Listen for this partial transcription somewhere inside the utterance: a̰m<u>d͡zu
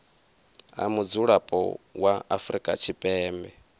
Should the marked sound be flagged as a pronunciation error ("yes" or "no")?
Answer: no